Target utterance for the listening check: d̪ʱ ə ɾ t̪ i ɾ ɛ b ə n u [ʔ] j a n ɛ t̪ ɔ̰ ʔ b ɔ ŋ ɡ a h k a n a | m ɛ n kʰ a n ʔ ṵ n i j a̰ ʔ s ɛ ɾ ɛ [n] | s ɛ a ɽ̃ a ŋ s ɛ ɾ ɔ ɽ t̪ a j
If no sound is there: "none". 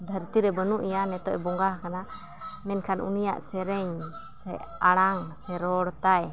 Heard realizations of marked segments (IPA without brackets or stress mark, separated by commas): ʔ, ɲ